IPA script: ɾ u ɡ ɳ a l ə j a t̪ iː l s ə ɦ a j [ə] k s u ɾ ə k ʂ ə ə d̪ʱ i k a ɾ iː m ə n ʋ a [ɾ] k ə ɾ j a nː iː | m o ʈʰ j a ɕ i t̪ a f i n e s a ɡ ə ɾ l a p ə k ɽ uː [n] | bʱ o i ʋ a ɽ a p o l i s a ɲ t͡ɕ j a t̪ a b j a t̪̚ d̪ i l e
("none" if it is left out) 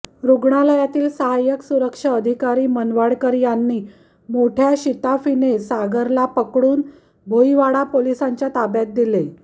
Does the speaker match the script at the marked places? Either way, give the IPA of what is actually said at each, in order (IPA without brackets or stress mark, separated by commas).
ə, ɽ, n